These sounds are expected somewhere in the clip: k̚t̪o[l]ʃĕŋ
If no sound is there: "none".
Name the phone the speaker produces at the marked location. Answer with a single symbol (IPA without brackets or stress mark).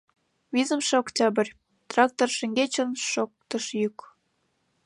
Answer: r